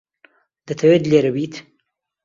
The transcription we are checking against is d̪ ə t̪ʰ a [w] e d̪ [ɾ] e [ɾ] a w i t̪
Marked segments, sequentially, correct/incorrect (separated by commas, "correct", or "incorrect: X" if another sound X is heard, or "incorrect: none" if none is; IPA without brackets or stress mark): correct, incorrect: l, correct